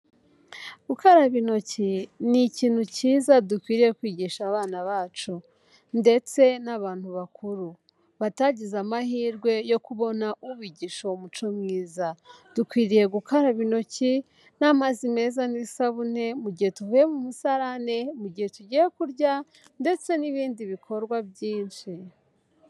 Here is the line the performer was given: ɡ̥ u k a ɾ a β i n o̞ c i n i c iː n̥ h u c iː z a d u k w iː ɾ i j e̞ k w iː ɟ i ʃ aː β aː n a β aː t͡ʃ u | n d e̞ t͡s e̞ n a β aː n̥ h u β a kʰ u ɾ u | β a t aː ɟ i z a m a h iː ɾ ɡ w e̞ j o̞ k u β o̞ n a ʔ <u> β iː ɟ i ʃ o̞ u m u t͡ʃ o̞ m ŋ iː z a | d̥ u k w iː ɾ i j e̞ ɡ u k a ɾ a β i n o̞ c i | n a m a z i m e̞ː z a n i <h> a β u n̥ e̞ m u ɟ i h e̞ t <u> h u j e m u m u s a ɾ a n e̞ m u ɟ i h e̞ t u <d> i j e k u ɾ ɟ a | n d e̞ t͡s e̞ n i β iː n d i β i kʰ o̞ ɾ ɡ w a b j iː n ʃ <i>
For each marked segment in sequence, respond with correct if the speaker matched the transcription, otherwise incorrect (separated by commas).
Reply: correct, incorrect, correct, incorrect, correct